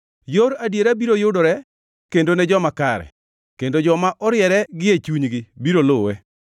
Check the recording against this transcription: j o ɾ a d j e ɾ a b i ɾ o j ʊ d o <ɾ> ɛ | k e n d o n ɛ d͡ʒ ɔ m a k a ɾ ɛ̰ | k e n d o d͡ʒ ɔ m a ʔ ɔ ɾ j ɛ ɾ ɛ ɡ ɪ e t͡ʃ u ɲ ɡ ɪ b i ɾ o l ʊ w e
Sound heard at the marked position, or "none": ɾ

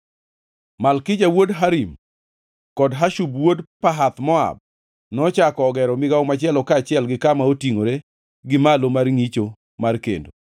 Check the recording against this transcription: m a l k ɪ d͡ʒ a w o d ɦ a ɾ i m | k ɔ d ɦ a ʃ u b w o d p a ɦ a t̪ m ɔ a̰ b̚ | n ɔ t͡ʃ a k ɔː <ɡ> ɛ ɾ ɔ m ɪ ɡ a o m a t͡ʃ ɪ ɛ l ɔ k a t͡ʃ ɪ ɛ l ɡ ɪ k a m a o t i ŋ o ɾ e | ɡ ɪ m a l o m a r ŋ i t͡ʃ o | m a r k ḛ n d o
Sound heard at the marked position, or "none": ɡ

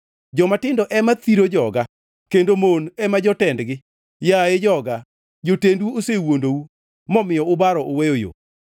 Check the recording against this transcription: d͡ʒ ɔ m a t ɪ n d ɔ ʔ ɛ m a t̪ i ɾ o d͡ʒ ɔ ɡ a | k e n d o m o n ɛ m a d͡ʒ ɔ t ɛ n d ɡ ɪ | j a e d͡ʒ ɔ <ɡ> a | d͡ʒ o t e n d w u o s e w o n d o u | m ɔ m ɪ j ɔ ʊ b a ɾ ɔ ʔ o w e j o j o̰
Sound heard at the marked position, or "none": ɡ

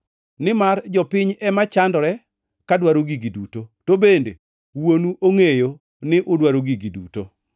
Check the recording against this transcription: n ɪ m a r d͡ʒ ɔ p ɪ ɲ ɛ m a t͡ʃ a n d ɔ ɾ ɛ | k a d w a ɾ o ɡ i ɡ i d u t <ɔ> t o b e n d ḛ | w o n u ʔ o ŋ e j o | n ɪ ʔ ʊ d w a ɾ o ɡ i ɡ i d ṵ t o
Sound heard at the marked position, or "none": o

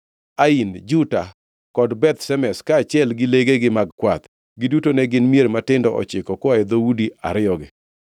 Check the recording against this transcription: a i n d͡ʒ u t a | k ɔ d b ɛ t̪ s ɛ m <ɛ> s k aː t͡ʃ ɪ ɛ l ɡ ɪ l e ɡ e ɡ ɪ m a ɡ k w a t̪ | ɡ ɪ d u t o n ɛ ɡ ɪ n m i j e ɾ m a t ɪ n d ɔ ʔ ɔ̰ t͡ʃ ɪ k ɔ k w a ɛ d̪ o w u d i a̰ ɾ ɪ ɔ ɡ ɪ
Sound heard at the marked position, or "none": ɛ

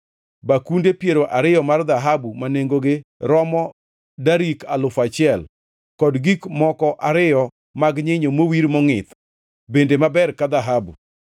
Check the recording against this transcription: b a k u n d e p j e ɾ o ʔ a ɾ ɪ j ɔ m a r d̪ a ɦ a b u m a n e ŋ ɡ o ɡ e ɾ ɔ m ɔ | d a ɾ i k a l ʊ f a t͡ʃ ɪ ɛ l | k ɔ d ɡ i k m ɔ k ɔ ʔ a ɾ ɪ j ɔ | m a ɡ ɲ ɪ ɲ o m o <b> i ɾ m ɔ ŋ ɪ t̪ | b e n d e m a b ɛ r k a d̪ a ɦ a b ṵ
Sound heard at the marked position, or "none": w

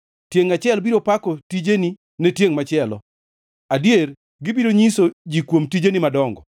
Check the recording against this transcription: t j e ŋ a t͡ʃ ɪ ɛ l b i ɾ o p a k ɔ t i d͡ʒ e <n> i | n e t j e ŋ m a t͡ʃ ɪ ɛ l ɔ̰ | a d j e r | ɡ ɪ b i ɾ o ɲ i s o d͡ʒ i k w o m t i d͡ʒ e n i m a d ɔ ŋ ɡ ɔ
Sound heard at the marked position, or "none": n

